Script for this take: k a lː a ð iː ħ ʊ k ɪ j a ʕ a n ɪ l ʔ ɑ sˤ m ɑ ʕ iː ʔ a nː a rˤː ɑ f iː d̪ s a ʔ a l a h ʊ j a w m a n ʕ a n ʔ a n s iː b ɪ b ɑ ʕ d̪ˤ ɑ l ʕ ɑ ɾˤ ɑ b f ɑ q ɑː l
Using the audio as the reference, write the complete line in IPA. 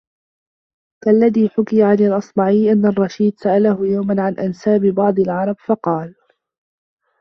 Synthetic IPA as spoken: k a lː a ð iː ħ ʊ k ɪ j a ʕ a n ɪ l ʔ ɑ sˤ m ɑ ʕ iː ʔ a nː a rˤː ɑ ʃ iː d̪ s a ʔ a l a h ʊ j a w m a n ʕ a n ʔ a n s aː b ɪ b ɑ ʕ d̪ˤ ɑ l ʕ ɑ ɾˤ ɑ b f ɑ q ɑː l